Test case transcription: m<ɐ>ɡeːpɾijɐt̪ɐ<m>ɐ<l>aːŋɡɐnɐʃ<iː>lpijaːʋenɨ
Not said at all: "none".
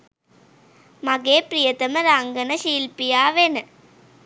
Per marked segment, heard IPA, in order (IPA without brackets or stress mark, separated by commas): ɐ, m, ɾ, iː